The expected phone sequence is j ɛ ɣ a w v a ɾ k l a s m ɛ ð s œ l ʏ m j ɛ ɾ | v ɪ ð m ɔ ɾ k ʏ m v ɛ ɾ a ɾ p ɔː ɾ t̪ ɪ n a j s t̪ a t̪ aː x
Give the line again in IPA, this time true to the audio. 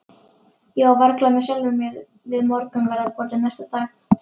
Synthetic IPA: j ɛ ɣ a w v a ɾ k l a m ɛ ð s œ l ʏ m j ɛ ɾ | v ɪ ð m ɔ ɾ k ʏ m v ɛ ɾ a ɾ p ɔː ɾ t̪ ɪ n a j s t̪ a t̪ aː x